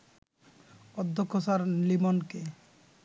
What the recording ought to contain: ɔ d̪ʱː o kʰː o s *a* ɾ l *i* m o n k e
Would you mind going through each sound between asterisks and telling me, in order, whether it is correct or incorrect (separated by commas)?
correct, correct